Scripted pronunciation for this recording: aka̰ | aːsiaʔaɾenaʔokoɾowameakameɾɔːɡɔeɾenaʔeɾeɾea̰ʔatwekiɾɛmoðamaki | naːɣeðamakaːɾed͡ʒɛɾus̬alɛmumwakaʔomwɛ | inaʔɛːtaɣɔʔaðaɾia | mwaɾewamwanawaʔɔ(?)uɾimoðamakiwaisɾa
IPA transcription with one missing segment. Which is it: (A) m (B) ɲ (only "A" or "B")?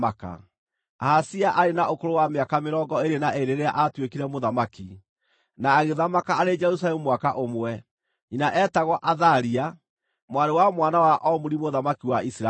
A